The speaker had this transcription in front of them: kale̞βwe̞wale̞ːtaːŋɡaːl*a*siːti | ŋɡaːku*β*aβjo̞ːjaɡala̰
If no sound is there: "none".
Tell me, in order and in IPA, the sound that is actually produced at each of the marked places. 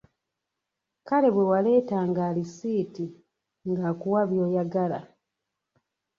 i, w

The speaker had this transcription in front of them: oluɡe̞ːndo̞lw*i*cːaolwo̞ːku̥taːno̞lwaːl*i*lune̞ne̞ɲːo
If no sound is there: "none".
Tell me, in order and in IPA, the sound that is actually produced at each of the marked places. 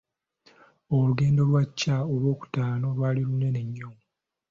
a, i

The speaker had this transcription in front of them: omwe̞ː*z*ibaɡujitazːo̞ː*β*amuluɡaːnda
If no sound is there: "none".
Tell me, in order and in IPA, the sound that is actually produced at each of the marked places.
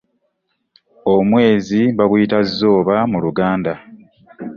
z, β

